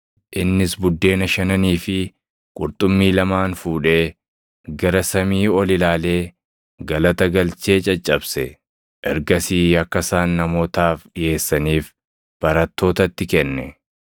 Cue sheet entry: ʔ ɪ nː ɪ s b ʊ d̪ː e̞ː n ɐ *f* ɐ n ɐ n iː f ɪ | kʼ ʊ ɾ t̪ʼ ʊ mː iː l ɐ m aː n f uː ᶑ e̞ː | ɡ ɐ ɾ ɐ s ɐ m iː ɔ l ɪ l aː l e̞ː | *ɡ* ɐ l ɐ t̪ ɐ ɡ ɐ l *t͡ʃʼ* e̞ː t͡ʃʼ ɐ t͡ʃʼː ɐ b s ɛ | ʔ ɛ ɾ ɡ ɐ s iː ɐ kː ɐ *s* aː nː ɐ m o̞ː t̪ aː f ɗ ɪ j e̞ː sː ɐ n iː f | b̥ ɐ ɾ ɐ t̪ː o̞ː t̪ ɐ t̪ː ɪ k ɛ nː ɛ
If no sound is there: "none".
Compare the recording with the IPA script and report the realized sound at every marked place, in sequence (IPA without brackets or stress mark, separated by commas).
ʃ, ɡ, t͡ʃ, s